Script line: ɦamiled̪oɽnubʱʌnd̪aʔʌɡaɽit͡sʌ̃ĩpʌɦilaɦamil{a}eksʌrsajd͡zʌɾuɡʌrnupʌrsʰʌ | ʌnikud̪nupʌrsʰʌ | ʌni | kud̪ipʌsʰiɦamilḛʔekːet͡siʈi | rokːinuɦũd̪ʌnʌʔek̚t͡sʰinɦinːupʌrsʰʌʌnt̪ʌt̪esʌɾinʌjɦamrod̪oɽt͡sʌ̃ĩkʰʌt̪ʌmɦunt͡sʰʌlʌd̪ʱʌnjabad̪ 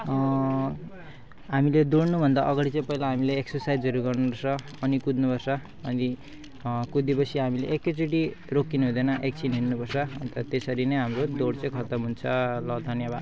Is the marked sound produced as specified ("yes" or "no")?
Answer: no